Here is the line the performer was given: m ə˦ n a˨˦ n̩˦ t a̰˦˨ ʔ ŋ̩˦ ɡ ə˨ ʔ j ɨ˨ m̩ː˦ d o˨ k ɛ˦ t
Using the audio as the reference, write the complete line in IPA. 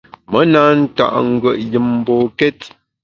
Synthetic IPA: m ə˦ n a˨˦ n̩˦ t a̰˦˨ ʔ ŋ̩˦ ɡ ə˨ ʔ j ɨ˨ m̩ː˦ b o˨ k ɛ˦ t